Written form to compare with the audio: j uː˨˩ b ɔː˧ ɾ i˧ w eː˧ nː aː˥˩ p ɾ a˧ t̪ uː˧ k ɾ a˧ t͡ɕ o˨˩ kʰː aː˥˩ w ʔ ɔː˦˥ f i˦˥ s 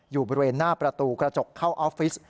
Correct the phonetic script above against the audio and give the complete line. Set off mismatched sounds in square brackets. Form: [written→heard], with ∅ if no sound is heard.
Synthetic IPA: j uː˨˩ b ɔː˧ ɾ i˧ w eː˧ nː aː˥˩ p ɾ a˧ t̪ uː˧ k ɾ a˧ t͡ɕ o˨˩ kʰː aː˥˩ w ʔ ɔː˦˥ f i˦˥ s